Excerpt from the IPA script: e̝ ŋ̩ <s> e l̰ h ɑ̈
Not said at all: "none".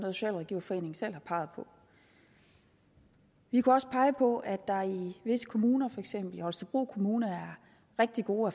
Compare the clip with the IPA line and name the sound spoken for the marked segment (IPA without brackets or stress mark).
s